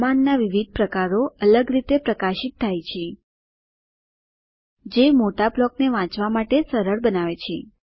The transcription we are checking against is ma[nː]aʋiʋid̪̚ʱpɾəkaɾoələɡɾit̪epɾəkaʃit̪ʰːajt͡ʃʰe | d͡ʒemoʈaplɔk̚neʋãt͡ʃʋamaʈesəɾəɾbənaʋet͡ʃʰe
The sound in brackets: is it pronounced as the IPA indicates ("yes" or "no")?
yes